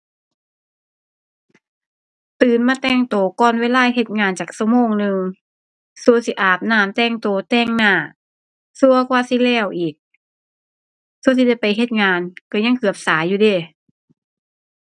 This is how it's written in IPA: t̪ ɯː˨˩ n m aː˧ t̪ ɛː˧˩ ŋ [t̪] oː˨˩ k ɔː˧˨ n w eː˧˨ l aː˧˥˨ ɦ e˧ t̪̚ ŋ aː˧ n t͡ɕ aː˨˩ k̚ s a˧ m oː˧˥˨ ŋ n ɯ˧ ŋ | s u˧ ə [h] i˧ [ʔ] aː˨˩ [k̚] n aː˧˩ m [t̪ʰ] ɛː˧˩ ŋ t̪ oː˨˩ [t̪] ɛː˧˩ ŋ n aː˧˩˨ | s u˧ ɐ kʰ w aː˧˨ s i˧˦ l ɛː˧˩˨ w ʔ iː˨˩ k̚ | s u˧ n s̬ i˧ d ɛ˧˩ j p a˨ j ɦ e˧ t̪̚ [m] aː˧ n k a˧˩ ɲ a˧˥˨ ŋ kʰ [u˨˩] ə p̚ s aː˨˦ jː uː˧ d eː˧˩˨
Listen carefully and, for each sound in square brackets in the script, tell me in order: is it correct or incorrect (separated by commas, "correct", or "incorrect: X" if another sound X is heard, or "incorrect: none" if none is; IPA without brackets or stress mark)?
correct, incorrect: s, correct, incorrect: p̚, incorrect: t̪, correct, incorrect: ŋ, incorrect: ɯ˨˩